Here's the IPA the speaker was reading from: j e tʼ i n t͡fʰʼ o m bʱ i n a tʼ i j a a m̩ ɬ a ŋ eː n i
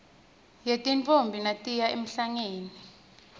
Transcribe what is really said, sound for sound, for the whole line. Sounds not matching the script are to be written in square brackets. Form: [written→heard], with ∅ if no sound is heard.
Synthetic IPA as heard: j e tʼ i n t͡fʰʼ o m bʱ i n a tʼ i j a [a→e] m̩ ɬ a ŋ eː n i